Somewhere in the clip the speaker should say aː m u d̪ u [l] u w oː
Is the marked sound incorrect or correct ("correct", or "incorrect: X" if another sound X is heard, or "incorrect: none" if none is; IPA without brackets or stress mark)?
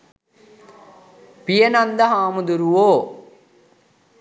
incorrect: ɾ